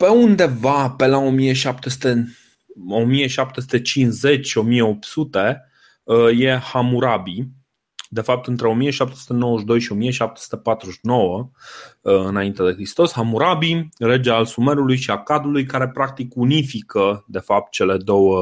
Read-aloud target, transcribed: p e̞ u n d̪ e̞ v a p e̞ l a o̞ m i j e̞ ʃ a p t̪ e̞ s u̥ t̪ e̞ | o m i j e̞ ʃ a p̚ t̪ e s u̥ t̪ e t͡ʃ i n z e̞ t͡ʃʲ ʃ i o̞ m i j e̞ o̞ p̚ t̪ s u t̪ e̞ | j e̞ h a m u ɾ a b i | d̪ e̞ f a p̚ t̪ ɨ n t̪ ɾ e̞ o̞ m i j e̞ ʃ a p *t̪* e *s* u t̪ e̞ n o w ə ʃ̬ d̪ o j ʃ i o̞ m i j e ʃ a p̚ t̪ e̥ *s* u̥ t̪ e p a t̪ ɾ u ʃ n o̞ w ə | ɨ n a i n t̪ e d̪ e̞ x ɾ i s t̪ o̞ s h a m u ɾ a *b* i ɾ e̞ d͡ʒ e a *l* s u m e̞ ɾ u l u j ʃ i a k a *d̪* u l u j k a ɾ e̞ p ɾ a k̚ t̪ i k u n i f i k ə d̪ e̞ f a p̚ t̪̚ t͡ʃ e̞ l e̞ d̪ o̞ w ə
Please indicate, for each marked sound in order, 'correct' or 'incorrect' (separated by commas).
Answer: correct, correct, correct, correct, correct, correct